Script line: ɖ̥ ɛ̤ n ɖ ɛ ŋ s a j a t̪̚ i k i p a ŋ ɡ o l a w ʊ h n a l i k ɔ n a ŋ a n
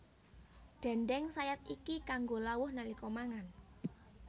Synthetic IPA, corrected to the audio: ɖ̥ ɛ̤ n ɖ ɛ ŋ s a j a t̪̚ i k i k a ŋ ɡ o l a w ʊ h n a l i k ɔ m a ŋ a n